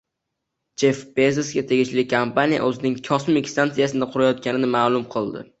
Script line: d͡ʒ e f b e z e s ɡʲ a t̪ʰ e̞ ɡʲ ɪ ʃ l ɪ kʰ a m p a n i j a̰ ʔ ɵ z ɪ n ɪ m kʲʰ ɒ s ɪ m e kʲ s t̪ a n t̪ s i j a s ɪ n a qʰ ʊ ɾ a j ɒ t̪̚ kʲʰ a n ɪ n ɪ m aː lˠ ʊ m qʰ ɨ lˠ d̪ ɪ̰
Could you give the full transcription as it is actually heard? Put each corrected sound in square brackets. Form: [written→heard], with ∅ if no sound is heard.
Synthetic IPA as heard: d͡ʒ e f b e z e s ɡʲ a t̪ʰ e̞ ɡʲ ɪ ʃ l ɪ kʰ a m p a n i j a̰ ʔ ɵ z ɪ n ɪ [m→ŋ] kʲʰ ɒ s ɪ m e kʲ s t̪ a n t̪ s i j a s ɪ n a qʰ ʊ ɾ a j ɒ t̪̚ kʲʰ a n ɪ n ɪ m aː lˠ ʊ m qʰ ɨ lˠ d̪ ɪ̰

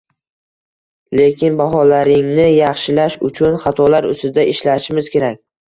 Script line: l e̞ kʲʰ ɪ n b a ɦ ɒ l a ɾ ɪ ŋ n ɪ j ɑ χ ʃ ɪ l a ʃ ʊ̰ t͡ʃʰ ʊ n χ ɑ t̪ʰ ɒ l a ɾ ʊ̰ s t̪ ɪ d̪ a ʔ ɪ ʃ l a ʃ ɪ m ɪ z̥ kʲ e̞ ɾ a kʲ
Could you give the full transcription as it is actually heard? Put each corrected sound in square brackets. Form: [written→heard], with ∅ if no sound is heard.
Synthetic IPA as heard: l e̞ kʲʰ ɪ n b a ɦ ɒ l a ɾ ɪ ŋ n ɪ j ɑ χ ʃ ɪ l a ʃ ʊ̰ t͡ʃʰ ʊ n χ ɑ t̪ʰ ɒ l a ɾ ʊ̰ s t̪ ɪ d̪ a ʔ ɪ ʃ l a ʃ ɪ m ɪ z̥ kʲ e̞ ɾ a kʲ

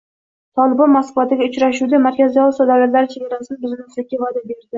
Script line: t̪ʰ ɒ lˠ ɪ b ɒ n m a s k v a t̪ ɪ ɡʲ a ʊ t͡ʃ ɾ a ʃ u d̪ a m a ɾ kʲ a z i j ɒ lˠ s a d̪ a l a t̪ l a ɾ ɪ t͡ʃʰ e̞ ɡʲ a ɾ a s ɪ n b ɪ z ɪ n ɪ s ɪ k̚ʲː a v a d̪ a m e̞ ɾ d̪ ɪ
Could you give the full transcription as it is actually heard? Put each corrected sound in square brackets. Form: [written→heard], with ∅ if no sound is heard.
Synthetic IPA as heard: t̪ʰ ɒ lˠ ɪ b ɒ n m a s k v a t̪ ɪ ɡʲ a ʊ t͡ʃ ɾ a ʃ u d̪ a m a ɾ kʲ a z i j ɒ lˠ s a d̪ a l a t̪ l a ɾ ɪ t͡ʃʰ e̞ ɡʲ a ɾ a s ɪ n b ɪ z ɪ n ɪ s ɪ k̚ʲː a v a d̪ a [m→b] e̞ ɾ d̪ ɪ

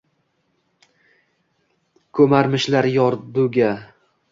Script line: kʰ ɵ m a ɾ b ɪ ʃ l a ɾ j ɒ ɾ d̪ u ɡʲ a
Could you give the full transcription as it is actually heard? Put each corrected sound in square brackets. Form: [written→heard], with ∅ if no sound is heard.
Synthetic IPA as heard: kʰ ɵ m a ɾ [b→m] ɪ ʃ l a ɾ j ɒ ɾ d̪ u ɡʲ a

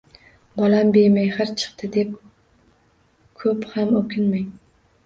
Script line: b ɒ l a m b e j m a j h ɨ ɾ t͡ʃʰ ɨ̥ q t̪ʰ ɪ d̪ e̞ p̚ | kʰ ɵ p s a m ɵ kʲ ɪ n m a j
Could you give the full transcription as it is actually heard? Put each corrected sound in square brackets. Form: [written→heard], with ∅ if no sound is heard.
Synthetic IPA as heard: b ɒ l a m b e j m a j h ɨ ɾ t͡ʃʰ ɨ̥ q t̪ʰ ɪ d̪ e̞ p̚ | kʰ ɵ p [s→h] a m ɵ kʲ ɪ n m a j

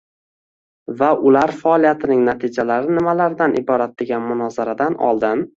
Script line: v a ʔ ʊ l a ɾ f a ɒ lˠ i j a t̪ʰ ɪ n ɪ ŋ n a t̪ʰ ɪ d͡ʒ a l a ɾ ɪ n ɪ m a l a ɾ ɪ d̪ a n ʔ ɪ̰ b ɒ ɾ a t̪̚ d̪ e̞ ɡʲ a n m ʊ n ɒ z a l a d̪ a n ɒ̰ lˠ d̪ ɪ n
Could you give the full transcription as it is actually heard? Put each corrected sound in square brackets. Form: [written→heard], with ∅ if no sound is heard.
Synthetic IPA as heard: v a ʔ ʊ l a ɾ f a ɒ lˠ i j a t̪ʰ ɪ n ɪ ŋ n a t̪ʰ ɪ d͡ʒ a l a ɾ ɪ n ɪ m a l a ɾ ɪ d̪ a n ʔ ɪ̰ b ɒ ɾ a t̪̚ d̪ e̞ ɡʲ a n m ʊ n ɒ z a [l→ɾ] a d̪ a n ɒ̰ lˠ d̪ ɪ n

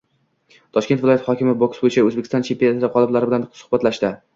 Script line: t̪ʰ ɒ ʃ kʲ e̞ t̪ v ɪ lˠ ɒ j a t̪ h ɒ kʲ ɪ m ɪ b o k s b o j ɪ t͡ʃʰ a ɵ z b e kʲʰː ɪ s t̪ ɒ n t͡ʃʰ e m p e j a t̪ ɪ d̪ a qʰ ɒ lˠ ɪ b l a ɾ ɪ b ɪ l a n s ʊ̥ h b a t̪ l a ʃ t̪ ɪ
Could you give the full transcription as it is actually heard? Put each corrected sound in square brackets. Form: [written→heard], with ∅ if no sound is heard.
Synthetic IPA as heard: t̪ʰ ɒ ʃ kʲ e̞ t̪ v ɪ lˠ ɒ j a t̪ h ɒ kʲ ɪ m ɪ b o k s b o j ɪ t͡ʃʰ a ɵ z b e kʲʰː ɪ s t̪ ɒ n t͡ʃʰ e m p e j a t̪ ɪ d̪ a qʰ ɒ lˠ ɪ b l a ɾ ɪ b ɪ l a n s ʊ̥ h b a t̪ l a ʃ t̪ ɪ

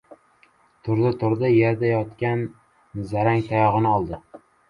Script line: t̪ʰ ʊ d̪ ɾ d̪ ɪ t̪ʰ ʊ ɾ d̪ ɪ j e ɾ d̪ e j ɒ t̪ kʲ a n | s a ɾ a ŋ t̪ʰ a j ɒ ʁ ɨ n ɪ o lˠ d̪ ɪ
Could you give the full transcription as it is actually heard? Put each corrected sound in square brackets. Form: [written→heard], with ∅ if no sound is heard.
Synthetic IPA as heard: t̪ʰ ʊ [d̪→∅] ɾ d̪ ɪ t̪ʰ ʊ ɾ d̪ ɪ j e ɾ d̪ [e→a] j ɒ t̪ kʲ a n | [s→z] a ɾ a ŋ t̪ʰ a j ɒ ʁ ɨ n ɪ [o→ɒ] lˠ d̪ ɪ

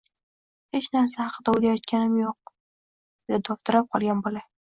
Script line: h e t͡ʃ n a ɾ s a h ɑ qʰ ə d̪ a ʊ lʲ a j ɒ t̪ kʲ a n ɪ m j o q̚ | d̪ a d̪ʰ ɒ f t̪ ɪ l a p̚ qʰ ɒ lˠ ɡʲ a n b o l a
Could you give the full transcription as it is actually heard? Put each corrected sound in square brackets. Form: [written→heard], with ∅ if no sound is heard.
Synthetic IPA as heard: h e t͡ʃ n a ɾ s a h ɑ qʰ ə d̪ a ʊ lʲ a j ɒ t̪ kʲ a n ɪ m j o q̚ | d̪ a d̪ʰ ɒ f t̪ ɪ [l→ɾ] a p̚ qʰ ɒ lˠ ɡʲ a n b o l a

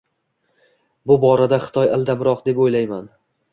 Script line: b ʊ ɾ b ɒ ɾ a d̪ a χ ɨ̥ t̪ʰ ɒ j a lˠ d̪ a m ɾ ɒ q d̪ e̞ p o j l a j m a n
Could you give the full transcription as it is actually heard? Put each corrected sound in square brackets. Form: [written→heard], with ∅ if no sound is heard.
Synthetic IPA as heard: b ʊ [ɾ→∅] b ɒ ɾ a d̪ a χ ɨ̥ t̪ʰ ɒ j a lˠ d̪ a m ɾ ɒ q d̪ e̞ p o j l a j m a n

